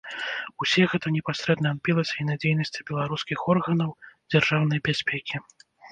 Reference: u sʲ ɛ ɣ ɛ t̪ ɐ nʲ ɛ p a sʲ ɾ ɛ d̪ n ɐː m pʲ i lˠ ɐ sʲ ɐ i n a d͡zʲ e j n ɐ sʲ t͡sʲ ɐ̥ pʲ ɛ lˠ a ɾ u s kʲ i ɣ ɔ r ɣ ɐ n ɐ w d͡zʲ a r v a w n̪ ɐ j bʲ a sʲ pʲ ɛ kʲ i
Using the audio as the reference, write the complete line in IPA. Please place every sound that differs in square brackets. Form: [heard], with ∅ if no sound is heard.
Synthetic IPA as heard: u sʲ ɛ ɣ ɛ t̪ ɐ nʲ ɛ p a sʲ ɾ ɛ d̪ n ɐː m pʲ i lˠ ɐ sʲ ɐ i n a d͡zʲ e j n ɐ sʲ t͡sʲ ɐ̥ [bʲ] ɛ lˠ a ɾ u s kʲ i [x] ɔ r ɣ ɐ n ɐ w d͡zʲ a r [ʐ] a w n̪ ɐ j bʲ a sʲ pʲ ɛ kʲ i